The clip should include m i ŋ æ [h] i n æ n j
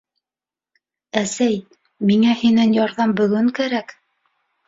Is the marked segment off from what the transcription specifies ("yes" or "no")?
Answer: no